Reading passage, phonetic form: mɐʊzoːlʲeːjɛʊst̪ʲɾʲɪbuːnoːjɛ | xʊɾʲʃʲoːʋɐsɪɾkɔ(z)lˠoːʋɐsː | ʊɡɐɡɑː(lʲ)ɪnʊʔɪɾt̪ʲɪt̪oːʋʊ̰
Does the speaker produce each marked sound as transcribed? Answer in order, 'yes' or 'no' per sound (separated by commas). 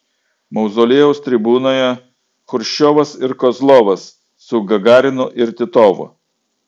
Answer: yes, no